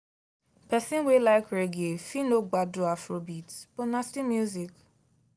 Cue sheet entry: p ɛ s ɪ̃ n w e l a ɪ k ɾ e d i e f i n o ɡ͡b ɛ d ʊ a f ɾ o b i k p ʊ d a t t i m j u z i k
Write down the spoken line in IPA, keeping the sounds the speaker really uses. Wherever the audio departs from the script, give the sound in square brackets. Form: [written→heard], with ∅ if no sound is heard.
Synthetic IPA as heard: p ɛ s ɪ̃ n w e l a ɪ k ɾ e [d→ɡ] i e f i n o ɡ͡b [ɛ→a] d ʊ a f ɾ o b i [k→t] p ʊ [d→n] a [t→s] t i m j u z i k